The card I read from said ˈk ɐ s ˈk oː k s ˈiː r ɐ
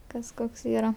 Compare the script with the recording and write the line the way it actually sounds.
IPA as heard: ˈk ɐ s ˈk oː k s ˈiː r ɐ